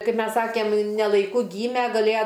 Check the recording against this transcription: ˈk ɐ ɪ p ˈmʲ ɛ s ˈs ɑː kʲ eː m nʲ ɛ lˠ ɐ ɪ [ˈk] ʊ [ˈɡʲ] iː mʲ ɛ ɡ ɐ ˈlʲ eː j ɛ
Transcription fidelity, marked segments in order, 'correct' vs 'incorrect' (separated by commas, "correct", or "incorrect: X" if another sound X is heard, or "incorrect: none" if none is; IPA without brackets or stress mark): correct, correct